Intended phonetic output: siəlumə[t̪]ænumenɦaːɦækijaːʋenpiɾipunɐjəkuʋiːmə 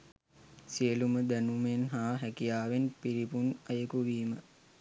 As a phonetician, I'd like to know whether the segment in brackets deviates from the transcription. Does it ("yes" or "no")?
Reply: yes